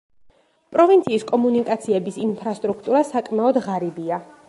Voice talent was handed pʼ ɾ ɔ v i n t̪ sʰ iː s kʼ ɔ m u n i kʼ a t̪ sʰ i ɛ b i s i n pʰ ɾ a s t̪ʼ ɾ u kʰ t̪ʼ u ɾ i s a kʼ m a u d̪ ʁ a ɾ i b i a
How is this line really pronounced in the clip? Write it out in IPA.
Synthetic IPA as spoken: pʼ ɾ ɔ v i n t̪ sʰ iː s kʼ ɔ m u n i kʼ a t̪ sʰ i ɛ b i s i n pʰ ɾ a s t̪ʼ ɾ u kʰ t̪ʼ u ɾ a s a kʼ m a ɔ d̪ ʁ a ɾ i b i a